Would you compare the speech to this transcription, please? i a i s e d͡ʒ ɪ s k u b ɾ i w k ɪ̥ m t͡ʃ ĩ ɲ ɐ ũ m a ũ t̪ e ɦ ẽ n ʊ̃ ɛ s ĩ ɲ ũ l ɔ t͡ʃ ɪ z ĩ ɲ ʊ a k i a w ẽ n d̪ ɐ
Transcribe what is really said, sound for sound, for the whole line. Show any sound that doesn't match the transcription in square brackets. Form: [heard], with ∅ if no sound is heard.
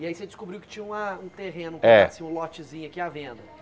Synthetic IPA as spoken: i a i s e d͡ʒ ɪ s k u b ɾ i w k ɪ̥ [∅] t͡ʃ ĩ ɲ ɐ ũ m [ɐ] ũ t̪ e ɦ ẽ n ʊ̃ ɛ s ĩ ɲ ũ l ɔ t͡ʃ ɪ z ĩ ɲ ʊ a k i a [v] ẽ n d̪ ɐ